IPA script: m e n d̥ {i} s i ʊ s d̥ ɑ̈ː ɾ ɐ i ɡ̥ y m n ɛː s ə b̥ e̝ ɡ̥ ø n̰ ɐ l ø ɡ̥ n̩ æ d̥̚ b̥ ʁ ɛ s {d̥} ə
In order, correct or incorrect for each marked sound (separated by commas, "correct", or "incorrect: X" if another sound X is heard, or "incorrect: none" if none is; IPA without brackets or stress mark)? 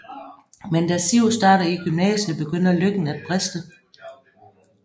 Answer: incorrect: æ, correct